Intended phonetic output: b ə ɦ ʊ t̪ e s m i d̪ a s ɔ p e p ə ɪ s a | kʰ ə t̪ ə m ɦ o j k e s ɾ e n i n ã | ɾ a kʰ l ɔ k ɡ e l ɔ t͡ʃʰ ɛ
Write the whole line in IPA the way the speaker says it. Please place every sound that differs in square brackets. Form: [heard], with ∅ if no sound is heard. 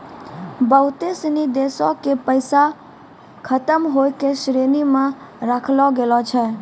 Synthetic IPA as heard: b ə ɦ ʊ t̪ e s [n] i d̪ [e] s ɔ [k] e p ə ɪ s a | kʰ ə t̪ ə m ɦ o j k e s ɾ e n i [m] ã | ɾ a kʰ l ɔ [∅] ɡ e l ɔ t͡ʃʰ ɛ

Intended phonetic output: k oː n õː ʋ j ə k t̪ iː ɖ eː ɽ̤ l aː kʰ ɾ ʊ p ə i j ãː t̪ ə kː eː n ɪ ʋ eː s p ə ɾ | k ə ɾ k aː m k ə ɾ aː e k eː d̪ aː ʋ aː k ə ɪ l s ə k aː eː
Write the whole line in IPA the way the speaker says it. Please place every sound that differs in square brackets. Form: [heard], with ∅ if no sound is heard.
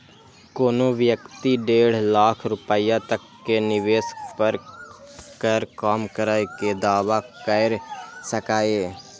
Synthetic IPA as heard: k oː n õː ʋ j ə k t̪ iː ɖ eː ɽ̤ l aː kʰ ɾ ʊ p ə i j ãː t̪ ə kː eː n ɪ ʋ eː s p ə ɾ | k ə ɾ k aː m k ə ɾ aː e k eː d̪ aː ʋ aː k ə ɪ [ɾ] s ə k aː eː

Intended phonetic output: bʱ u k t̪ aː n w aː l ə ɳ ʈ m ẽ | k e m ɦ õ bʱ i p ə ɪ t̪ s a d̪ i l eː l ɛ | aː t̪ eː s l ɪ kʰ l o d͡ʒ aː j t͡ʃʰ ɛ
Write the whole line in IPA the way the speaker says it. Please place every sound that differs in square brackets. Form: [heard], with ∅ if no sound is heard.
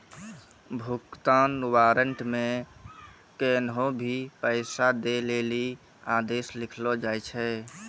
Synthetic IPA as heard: bʱ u k t̪ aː n w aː [ɾ] ə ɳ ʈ m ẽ | k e [n] ɦ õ bʱ i p ə ɪ [∅] s a d̪ [e] l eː l [i] | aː [d̪] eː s l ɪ kʰ l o d͡ʒ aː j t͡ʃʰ ɛ

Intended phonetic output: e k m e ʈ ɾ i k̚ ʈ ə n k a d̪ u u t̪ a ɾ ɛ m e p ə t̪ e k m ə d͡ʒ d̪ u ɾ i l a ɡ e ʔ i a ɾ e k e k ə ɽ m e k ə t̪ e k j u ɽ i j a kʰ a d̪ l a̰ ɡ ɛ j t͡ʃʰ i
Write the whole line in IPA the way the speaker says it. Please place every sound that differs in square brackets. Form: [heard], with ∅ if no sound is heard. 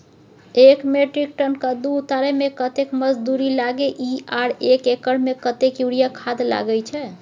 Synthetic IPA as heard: e k m e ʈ ɾ i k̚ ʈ ə n k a d̪ u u t̪ a ɾ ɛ m e [k] ə t̪ e k m ə d͡ʒ d̪ u ɾ i l a ɡ e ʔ i a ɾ e k e k ə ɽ m e k ə t̪ e k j u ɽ i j a kʰ a d̪ l a̰ ɡ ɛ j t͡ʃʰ [ɛ]

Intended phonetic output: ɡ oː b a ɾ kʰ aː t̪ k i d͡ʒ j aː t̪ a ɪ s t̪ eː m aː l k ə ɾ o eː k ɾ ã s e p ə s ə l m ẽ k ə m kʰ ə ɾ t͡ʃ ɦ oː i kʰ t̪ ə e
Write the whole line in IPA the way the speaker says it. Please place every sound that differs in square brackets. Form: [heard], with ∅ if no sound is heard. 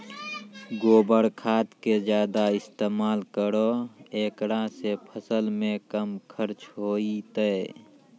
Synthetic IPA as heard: ɡ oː b [ə] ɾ kʰ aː t̪ k [e] d͡ʒ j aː [d̪] a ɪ s t̪ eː m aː l k ə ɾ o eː k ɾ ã s e [pʰ] ə s ə l m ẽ k ə m kʰ ə ɾ t͡ʃ ɦ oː i [∅] t̪ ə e

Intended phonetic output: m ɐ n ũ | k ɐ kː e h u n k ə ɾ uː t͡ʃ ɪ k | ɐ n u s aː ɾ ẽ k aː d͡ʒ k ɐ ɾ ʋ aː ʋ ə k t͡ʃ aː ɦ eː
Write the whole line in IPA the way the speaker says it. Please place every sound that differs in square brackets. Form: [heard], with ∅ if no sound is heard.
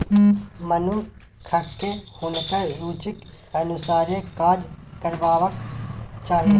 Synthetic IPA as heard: m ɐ n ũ | [kʰ] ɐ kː e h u n k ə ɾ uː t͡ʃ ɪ k | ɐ n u s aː ɾ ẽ k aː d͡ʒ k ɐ ɾ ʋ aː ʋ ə k t͡ʃ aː ɦ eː

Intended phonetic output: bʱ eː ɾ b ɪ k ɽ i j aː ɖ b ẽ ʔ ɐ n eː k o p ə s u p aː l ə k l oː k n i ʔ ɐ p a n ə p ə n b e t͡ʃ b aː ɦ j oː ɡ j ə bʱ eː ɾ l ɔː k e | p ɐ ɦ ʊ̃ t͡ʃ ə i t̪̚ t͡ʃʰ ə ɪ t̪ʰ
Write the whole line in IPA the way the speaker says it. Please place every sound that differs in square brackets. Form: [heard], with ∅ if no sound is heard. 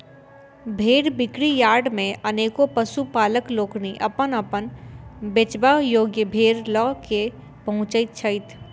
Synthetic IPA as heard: bʱ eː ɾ b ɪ k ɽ i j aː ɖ [m] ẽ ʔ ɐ n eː k o p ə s u p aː l ə k l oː k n i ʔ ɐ p [ə] n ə p ə n b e t͡ʃ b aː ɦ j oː ɡ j ə bʱ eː ɾ l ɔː k e | p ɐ ɦ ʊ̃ t͡ʃ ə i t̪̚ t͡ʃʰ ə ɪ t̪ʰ

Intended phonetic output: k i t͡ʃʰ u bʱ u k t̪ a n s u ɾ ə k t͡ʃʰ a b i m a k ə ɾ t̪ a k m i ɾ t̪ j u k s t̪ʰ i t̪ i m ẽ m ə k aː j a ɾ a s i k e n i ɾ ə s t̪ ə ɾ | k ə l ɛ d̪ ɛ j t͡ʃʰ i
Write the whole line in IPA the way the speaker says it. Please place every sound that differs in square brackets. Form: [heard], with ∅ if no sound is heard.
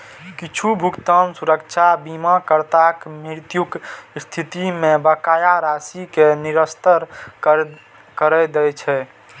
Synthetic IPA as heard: k i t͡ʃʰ u bʱ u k t̪ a n s u ɾ ə k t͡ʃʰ a b i m a k ə ɾ t̪ a k m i ɾ t̪ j u k s t̪ʰ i t̪ i m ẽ [b] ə k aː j a ɾ a s i k e n i ɾ ə s t̪ ə ɾ | k ə [ɾ] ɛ d̪ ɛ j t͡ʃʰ [ɛ]

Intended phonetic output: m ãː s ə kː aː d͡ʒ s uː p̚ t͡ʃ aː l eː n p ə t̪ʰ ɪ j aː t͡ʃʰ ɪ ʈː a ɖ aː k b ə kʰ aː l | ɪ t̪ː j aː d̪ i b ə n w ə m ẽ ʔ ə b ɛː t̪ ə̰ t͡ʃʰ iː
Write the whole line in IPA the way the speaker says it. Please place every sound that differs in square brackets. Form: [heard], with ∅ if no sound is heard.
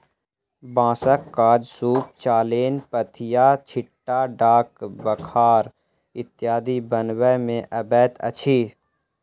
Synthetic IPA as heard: [b] ãː s ə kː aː d͡ʒ s uː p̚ t͡ʃ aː l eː n p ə t̪ʰ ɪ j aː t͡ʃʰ ɪ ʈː a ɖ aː k b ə kʰ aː [ɾ] | ɪ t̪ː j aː d̪ i b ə n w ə m ẽ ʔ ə b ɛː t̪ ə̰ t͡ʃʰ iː

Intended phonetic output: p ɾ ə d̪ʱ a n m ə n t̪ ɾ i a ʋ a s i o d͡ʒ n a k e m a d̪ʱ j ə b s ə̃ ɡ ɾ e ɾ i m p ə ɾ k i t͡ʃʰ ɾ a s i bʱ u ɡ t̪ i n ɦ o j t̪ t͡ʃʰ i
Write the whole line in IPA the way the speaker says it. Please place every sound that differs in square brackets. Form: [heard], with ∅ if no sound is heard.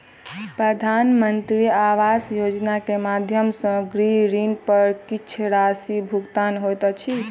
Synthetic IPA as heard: p ɾ ə d̪ʱ a n m ə n t̪ ɾ i a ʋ a s [j] o d͡ʒ n a k e m a d̪ʱ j ə [m] s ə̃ ɡ ɾ [i] ɾ i [n] p ə ɾ k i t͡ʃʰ ɾ a s i bʱ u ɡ t̪ [a] n ɦ o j t̪ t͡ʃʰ i

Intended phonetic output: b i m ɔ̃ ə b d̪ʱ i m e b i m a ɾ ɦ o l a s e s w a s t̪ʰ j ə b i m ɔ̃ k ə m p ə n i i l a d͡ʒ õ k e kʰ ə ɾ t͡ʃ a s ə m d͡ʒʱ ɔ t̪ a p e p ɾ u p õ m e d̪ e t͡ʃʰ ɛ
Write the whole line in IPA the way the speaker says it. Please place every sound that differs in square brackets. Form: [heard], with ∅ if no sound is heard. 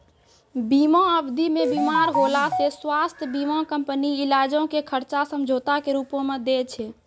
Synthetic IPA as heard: b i m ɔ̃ ə b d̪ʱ i m e b i m a ɾ ɦ o l a s e s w a s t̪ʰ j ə b i m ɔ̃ k ə m p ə n i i l a d͡ʒ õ k e kʰ ə ɾ t͡ʃ a s ə m d͡ʒʱ [o] t̪ a [k] e [∅] ɾ u p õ m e d̪ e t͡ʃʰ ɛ

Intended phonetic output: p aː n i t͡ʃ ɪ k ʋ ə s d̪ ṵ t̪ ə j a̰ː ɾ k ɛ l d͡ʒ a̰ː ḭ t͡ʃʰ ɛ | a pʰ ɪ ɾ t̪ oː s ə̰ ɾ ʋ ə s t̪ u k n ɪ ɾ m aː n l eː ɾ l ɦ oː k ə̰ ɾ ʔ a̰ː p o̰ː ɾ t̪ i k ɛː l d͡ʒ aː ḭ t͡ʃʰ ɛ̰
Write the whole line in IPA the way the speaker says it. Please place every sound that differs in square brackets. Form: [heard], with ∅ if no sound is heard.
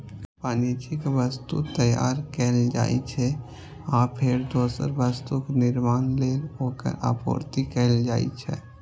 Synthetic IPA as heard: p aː n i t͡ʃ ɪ k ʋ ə s [t̪] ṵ t̪ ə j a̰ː ɾ k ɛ l d͡ʒ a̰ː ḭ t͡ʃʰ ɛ | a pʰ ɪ ɾ [d̪] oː s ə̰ ɾ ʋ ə s t̪ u k n ɪ ɾ m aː n l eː [∅] l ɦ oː k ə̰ ɾ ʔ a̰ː p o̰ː ɾ t̪ i k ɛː l d͡ʒ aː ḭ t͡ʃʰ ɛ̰

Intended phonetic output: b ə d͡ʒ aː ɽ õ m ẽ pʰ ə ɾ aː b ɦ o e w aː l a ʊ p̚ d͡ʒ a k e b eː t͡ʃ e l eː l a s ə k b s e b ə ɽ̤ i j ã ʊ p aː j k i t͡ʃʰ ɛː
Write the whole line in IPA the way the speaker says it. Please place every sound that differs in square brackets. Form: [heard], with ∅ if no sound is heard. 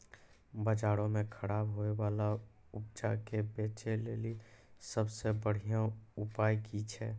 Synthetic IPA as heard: b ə d͡ʒ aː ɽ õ m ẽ [kʰ] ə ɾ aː b ɦ o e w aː l a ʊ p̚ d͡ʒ a k e b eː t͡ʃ e l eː l [i] s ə [∅] b s e b ə ɽ̤ i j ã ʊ p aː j k i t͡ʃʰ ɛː

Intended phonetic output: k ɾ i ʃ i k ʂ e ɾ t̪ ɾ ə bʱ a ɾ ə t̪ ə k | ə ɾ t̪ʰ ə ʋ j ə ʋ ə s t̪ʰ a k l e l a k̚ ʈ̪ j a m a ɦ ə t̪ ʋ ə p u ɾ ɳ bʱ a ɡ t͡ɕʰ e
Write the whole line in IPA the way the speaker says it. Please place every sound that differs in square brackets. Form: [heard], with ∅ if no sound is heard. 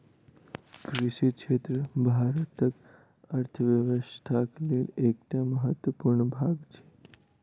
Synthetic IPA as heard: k ɾ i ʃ i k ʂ e [∅] t̪ ɾ ə bʱ a ɾ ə t̪ ə k | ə ɾ t̪ʰ ə ʋ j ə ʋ ə s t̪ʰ a k l e l [e] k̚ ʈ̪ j a m [ə] ɦ ə t̪ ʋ ə p u ɾ ɳ bʱ a ɡ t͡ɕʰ e

